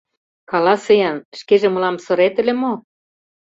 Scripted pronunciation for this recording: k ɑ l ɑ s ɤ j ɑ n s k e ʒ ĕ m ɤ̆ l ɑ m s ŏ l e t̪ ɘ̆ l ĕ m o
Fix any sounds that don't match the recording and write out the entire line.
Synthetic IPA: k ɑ l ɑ s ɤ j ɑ n ʃ k e ʒ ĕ m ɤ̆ l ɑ m s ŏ ɾ e t̪ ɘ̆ l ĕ m o